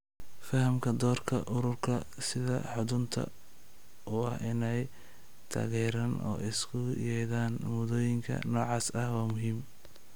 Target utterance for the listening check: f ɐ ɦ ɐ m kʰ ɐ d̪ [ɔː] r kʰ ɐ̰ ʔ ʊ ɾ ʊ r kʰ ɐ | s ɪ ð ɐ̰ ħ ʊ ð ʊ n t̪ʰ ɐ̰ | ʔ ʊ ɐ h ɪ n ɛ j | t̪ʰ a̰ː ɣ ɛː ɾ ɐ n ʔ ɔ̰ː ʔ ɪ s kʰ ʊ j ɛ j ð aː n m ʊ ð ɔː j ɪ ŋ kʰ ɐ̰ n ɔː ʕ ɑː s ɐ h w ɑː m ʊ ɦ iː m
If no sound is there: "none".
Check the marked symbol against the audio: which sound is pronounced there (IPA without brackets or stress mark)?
ɔː